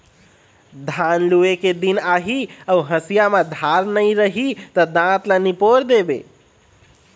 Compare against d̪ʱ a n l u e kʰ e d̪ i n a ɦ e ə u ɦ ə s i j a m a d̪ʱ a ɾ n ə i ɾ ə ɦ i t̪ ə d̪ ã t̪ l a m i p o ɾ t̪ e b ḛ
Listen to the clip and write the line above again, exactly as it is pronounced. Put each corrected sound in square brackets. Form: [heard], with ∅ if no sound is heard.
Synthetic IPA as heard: d̪ʱ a n l u e [k] e d̪ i n a ɦ [i] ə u ɦ ə s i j a m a d̪ʱ a ɾ n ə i ɾ ə ɦ i t̪ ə d̪ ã t̪ l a [n] i p o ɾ [d̪] e b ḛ